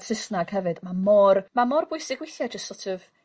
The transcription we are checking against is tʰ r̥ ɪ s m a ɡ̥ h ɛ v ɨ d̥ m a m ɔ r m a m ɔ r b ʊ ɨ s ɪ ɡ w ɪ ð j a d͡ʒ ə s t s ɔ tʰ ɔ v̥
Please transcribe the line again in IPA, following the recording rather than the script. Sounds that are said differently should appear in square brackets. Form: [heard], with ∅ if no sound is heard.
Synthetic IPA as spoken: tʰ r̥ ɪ s [n] a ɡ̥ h ɛ v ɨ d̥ m a m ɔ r m a m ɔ r b ʊ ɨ s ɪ ɡ w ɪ [θ] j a d͡ʒ ə s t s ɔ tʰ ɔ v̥